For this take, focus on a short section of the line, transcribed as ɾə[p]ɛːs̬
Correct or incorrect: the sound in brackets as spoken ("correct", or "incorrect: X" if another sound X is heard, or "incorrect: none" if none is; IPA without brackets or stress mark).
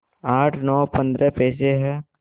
correct